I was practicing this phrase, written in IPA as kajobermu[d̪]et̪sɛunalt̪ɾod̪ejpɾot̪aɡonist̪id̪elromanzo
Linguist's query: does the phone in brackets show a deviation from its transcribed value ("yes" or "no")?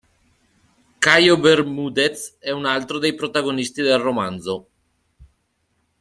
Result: no